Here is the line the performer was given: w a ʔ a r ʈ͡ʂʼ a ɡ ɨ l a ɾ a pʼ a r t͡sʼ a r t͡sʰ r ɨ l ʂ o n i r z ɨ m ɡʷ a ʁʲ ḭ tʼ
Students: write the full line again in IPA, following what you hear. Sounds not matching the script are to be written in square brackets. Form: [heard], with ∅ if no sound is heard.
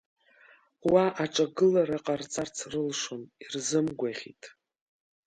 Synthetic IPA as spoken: w a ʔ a [∅] ʈ͡ʂʼ a ɡ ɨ l a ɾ a [qʼ] a r t͡sʼ a r t͡sʰ r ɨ l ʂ o n i r z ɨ m ɡʷ a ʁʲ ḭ tʼ